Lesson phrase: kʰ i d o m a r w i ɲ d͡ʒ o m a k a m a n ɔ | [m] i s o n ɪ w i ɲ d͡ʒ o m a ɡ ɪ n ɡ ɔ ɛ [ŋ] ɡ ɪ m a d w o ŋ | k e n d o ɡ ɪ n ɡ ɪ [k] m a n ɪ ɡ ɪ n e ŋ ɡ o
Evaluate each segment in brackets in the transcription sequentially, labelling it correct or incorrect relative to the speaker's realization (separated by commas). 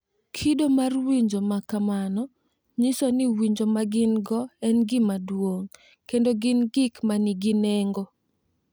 incorrect, incorrect, correct